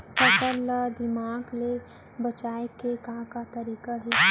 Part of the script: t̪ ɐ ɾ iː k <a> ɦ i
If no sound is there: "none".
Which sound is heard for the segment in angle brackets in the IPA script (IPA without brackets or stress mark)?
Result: a